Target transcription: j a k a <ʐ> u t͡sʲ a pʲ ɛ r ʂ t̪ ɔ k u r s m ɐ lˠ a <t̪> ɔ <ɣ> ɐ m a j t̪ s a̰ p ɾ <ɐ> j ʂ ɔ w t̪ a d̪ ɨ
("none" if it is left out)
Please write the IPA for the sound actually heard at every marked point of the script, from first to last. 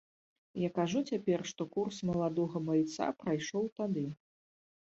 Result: ʐ, d̪, ɣ, a

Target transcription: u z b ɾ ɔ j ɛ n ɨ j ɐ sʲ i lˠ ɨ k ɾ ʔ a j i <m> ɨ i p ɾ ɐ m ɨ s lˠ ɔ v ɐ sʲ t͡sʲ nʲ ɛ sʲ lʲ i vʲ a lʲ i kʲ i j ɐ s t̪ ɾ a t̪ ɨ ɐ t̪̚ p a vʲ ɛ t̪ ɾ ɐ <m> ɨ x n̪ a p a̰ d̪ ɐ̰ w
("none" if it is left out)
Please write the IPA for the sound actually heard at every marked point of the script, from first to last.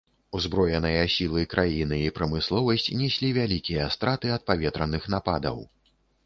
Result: n, n

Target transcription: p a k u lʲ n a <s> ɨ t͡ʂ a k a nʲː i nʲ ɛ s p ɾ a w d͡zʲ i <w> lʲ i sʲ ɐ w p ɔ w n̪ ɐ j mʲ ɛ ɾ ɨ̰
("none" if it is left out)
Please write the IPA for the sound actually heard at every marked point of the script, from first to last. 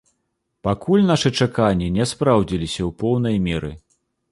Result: ʂ, none

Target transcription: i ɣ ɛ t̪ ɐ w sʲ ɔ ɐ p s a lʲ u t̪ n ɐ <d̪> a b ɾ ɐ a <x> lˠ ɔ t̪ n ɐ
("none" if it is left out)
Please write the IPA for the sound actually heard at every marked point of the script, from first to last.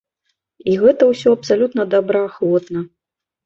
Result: d̪, x

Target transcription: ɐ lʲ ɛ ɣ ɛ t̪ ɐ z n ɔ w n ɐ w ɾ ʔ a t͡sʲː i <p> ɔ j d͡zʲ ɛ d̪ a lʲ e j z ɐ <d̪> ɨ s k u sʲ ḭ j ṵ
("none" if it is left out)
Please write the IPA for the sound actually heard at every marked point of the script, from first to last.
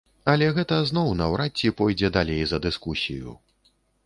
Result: p, d̪

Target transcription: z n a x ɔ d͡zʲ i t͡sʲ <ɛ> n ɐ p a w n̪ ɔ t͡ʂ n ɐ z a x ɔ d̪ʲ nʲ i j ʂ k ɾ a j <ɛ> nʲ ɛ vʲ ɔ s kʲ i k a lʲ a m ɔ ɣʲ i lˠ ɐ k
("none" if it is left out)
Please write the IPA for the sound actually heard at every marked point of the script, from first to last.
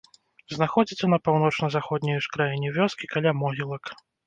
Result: ɛ, i

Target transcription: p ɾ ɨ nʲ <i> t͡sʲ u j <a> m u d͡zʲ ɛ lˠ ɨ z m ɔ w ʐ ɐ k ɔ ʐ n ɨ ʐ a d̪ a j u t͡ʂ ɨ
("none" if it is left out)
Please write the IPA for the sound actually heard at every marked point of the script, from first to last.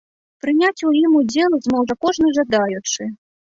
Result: a, i

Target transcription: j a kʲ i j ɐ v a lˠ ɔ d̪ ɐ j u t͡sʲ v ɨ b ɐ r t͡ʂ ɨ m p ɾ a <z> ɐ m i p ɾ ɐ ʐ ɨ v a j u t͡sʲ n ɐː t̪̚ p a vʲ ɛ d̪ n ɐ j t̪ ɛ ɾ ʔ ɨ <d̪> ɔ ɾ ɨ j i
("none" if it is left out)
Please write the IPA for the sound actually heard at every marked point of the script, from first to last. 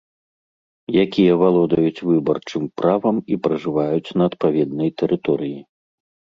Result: v, t̪

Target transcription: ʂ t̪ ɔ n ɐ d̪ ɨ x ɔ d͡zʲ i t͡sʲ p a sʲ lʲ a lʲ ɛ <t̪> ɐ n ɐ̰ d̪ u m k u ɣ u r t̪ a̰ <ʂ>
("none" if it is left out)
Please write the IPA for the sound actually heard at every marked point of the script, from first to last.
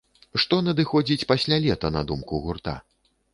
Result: t̪, none

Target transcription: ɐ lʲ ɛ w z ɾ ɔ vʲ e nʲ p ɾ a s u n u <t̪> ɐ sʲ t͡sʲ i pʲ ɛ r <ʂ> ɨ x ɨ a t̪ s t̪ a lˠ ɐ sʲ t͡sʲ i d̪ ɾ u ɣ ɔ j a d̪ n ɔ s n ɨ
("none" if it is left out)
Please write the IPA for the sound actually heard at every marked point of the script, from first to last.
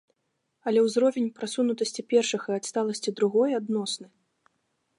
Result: t̪, ʂ

